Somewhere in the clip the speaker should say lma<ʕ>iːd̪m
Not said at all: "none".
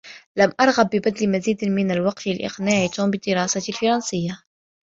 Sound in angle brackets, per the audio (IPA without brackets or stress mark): z